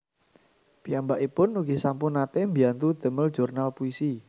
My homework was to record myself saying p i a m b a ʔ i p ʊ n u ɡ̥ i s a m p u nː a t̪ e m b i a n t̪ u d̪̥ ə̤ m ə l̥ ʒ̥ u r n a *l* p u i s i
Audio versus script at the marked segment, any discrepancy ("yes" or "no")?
no